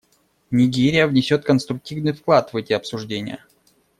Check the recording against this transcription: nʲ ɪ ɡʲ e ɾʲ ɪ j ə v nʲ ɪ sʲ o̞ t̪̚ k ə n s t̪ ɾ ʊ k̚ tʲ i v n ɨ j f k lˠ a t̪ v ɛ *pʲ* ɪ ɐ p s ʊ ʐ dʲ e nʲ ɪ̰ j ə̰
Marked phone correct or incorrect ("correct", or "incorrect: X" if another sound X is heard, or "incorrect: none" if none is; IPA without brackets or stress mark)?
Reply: incorrect: tʲ